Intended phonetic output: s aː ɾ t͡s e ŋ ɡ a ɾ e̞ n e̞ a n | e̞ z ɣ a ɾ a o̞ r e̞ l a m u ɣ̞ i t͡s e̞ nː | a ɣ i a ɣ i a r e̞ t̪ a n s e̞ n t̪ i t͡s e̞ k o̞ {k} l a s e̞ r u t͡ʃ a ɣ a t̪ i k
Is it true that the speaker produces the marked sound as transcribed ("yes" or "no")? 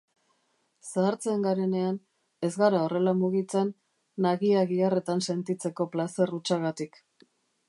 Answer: no